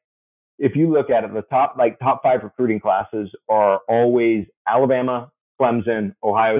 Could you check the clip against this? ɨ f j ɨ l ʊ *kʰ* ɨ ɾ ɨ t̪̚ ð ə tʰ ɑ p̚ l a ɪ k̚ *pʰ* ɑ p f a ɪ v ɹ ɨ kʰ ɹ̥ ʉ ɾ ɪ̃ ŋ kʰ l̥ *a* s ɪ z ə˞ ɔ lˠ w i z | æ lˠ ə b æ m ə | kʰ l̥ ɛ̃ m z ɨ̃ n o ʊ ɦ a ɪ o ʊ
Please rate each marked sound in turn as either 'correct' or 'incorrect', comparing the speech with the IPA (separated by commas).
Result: incorrect, incorrect, incorrect